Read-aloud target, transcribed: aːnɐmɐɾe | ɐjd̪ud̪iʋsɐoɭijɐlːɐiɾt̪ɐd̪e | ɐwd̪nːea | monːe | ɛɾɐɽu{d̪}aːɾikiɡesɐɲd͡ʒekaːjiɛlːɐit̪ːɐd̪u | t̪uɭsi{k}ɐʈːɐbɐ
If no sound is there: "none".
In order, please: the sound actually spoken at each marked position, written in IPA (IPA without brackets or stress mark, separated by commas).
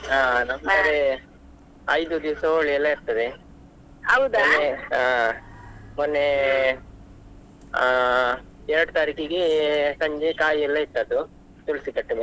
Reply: t̪, k